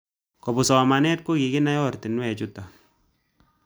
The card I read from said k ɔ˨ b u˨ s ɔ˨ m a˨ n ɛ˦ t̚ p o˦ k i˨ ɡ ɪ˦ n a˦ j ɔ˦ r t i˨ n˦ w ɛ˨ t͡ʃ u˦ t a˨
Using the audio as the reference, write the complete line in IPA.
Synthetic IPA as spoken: k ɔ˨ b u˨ s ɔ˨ m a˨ n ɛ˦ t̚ k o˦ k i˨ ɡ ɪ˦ n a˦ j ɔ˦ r t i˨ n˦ w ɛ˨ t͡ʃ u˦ t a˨